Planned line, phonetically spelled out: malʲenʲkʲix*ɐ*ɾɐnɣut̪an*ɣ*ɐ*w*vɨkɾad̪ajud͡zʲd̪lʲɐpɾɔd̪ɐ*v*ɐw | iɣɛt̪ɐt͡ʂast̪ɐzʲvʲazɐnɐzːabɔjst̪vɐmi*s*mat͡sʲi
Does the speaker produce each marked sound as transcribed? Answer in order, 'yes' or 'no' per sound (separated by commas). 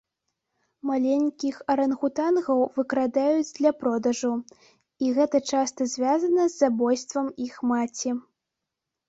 yes, yes, yes, no, no